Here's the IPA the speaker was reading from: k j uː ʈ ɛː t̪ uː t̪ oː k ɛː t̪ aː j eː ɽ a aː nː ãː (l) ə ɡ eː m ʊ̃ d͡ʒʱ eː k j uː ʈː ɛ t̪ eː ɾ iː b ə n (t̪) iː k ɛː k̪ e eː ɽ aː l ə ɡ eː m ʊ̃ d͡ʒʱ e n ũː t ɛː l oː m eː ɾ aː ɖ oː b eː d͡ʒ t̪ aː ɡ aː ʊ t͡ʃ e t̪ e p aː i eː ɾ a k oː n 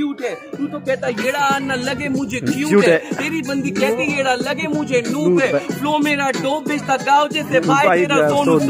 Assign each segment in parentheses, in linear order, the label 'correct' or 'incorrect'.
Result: correct, incorrect

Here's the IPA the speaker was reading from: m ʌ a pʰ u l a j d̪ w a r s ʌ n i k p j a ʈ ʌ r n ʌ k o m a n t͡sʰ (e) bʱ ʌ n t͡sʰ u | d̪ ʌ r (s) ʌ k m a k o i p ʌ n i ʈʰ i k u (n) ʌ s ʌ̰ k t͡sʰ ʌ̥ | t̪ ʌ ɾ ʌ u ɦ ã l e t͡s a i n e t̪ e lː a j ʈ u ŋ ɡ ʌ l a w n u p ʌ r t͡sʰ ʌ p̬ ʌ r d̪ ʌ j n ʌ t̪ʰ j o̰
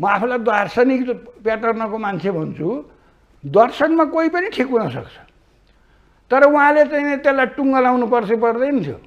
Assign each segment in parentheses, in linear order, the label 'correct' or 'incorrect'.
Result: correct, correct, correct

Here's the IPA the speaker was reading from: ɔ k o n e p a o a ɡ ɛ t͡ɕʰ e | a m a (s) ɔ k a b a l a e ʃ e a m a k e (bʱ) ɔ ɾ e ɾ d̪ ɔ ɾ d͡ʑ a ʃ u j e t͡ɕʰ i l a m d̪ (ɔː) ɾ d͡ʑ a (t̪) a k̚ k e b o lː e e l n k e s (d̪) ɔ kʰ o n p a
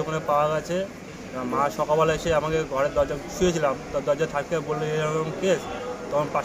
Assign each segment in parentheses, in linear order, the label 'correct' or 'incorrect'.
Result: incorrect, incorrect, incorrect, incorrect, incorrect

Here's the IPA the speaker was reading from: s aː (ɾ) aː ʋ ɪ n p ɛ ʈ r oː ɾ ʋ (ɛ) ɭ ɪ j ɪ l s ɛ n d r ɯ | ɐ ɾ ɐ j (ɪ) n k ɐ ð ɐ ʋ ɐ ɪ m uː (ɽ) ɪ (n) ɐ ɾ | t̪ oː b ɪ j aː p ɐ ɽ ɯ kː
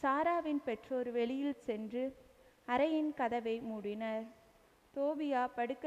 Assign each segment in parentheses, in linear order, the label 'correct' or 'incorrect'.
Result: correct, correct, correct, correct, correct

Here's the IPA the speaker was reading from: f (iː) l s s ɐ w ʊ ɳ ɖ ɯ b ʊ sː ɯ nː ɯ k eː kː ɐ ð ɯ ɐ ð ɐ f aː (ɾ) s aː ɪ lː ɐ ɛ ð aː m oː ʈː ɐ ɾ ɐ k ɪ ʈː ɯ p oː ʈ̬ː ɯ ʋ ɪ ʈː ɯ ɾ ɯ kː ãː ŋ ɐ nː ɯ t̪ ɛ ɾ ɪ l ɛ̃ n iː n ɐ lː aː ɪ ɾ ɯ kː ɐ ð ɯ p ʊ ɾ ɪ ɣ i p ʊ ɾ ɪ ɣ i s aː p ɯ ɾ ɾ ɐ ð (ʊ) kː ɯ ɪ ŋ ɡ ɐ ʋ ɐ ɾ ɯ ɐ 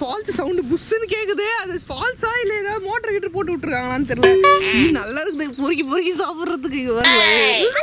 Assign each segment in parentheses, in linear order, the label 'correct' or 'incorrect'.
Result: incorrect, incorrect, incorrect

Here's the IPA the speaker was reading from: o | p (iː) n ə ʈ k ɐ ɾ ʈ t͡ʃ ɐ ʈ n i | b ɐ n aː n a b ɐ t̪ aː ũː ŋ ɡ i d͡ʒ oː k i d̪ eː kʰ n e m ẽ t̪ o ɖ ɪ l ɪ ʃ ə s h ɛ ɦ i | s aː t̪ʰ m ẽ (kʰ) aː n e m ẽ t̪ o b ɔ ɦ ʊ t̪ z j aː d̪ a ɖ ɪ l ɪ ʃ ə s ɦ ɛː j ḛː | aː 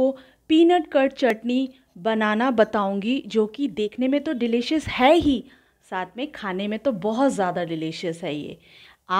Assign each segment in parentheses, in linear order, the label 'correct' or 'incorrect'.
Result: correct, correct

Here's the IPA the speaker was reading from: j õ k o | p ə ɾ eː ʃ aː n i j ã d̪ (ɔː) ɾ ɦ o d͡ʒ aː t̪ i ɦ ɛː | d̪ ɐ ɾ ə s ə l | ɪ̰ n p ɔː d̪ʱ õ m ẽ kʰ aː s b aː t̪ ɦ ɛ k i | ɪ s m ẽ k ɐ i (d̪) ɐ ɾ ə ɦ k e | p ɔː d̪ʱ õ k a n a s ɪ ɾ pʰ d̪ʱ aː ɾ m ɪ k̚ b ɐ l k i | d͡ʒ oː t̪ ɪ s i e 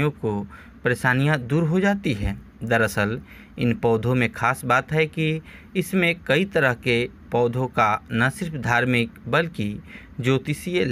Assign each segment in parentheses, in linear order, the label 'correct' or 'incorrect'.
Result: incorrect, incorrect

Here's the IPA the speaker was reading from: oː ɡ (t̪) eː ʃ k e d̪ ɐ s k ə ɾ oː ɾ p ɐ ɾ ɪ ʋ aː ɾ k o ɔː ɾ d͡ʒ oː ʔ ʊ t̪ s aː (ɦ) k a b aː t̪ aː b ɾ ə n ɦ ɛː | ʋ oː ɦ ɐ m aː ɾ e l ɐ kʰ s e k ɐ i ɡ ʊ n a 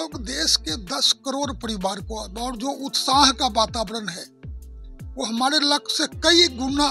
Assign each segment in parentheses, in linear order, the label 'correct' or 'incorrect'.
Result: incorrect, correct

